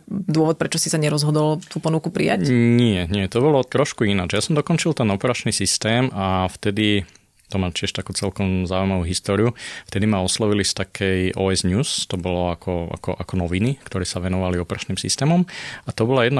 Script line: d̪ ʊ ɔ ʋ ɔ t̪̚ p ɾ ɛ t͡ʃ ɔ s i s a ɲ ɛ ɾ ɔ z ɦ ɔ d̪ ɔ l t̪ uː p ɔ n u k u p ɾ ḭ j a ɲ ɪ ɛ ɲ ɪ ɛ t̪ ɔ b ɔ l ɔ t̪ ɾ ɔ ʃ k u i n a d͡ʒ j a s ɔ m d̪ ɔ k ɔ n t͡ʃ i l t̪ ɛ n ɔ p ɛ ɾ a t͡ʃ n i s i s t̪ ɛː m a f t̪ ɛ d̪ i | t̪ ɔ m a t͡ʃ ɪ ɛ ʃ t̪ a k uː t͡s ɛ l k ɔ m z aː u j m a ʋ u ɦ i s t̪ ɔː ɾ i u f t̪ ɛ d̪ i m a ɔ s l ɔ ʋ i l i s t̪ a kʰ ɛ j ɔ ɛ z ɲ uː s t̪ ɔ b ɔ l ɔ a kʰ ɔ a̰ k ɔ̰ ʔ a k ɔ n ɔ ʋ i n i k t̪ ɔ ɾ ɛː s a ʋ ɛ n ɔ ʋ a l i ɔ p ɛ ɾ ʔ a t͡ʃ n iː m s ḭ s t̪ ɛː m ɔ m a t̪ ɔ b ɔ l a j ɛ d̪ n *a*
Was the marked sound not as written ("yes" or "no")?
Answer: no